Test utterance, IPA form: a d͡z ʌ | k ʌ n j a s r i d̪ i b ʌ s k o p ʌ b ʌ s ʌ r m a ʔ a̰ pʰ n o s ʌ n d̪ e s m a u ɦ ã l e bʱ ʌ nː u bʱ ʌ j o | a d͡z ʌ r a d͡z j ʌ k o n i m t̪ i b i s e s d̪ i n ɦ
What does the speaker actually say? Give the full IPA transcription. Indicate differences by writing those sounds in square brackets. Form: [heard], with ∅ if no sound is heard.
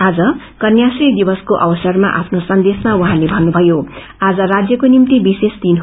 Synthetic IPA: a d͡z ʌ | k ʌ n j a s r i d̪ i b ʌ s k o [ʔ] ʌ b ʌ s ʌ r m a ʔ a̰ pʰ n o s ʌ n d̪ e s m a u ɦ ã l e bʱ ʌ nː u bʱ ʌ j o | a d͡z ʌ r a d͡z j ʌ k o n i m t̪ i b i s e s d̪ i n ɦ